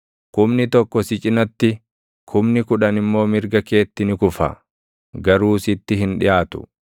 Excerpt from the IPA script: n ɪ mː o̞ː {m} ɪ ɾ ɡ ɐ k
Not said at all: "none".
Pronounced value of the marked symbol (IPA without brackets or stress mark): m